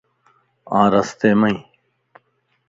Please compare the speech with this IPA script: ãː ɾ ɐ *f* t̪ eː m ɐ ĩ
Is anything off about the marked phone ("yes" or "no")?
yes